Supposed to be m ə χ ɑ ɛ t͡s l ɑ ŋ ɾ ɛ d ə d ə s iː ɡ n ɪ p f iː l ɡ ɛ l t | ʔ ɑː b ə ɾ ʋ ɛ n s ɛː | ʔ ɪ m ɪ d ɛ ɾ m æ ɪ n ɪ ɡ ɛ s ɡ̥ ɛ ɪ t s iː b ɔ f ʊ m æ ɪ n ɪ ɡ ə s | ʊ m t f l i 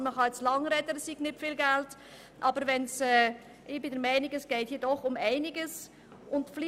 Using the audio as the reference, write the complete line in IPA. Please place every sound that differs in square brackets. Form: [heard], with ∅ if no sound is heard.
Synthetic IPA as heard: m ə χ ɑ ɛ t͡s l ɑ ŋ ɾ ɛ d ə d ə s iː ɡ n ɪ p f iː l ɡ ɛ l t | ʔ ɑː b ə ɾ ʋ ɛ n s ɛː | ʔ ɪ [b] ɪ d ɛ ɾ m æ ɪ n ɪ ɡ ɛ s ɡ̥ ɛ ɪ t [h] iː [d] ɔ [χ] ʊ m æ ɪ n ɪ ɡ ə s | ʊ [n] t f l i